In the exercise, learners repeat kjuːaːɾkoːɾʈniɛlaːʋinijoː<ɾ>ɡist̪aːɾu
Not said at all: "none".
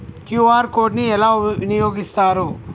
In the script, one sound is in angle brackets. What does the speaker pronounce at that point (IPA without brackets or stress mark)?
none